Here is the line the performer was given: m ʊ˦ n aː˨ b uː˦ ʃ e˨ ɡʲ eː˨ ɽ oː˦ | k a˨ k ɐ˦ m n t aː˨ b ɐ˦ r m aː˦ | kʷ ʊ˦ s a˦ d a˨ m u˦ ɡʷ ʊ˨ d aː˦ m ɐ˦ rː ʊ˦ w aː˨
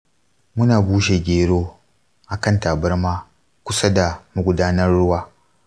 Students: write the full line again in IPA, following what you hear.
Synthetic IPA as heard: m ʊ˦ n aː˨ b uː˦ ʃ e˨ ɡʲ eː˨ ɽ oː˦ | ʔ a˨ k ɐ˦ n t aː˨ b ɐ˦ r m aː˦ | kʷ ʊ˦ s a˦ d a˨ m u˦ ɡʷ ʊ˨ d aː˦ n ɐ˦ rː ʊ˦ w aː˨